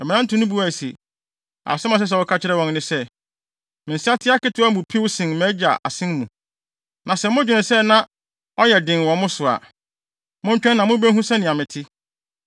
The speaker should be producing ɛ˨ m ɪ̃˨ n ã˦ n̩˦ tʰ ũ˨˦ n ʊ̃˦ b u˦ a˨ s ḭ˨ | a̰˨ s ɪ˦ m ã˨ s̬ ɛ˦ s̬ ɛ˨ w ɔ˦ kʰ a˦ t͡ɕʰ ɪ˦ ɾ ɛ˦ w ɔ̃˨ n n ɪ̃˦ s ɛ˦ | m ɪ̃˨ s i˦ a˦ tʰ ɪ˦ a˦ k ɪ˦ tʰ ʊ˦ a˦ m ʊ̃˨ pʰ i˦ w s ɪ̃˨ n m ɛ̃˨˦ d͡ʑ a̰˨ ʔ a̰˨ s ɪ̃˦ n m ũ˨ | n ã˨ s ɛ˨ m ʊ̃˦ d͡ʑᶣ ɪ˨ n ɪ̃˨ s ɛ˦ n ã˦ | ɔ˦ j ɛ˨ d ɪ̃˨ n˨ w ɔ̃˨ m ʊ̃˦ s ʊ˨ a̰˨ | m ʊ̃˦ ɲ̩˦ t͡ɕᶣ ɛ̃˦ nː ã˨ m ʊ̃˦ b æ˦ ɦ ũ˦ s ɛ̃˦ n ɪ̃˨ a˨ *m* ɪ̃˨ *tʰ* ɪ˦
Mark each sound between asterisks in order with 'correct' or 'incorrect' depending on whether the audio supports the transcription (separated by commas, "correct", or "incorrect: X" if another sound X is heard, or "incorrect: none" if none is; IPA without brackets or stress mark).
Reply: correct, correct